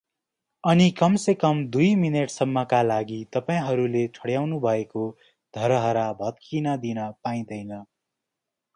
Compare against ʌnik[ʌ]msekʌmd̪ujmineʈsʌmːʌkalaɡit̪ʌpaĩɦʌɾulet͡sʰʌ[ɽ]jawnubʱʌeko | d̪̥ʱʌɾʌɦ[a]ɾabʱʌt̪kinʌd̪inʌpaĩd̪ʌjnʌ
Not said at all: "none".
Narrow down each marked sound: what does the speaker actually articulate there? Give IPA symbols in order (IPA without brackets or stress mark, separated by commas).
ʌ, ɽ, ʌ